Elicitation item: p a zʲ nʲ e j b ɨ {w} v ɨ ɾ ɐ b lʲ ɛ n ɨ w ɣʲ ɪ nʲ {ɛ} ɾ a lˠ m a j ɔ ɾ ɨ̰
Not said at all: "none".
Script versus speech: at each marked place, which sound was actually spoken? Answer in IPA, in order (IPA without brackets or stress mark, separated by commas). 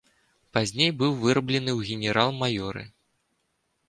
w, ɛ